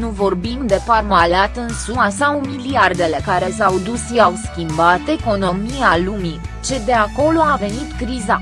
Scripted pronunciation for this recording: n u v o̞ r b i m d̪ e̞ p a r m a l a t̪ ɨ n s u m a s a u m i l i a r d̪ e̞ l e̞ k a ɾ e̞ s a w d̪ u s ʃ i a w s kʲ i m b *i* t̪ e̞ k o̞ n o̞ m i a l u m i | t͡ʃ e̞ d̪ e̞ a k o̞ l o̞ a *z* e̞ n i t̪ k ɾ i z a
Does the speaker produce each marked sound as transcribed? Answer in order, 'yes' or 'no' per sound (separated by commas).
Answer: no, no